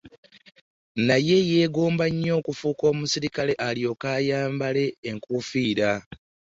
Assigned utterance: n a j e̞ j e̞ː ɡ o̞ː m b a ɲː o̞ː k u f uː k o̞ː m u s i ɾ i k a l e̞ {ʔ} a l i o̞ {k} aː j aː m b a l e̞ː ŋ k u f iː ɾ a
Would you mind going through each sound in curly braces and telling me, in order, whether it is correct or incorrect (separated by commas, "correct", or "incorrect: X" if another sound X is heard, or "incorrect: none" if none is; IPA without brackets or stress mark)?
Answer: correct, correct